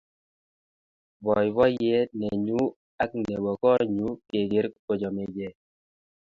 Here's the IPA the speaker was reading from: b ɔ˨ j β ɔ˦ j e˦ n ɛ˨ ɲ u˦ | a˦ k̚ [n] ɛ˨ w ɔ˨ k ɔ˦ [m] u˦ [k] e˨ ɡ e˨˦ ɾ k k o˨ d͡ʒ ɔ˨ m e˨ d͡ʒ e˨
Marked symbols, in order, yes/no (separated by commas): yes, no, yes